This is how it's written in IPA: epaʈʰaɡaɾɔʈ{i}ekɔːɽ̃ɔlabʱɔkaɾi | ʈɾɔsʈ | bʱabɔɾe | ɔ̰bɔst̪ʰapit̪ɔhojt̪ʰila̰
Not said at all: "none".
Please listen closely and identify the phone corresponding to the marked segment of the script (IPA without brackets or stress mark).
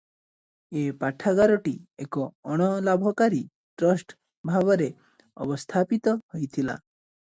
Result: i